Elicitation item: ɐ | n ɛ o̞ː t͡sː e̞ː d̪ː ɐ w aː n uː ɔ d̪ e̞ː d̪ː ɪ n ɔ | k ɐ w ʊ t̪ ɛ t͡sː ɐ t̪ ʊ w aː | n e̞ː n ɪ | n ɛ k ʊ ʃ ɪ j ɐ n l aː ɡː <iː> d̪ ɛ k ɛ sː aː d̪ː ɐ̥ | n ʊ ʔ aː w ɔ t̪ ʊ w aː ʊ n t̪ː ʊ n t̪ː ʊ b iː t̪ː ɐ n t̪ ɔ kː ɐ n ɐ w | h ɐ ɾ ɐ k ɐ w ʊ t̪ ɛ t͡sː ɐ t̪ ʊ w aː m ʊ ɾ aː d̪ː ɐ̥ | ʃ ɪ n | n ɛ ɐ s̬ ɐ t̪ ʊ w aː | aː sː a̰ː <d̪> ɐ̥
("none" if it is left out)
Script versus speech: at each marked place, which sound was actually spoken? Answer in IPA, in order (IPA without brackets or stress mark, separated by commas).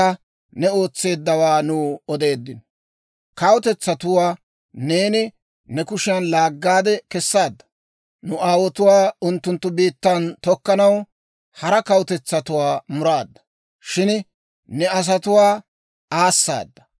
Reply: aː, d̪ː